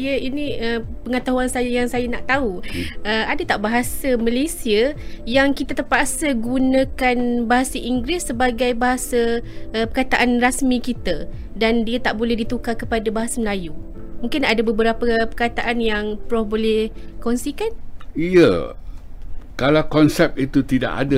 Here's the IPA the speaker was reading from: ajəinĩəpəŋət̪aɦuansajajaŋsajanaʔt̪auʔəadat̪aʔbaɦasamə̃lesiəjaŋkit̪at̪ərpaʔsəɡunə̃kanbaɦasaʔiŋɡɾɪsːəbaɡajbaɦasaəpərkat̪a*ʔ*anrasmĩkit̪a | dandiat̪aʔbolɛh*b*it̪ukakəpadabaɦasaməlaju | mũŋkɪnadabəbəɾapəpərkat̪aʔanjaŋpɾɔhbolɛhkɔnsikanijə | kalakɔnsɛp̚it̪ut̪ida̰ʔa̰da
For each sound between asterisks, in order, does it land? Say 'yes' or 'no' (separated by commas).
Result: yes, no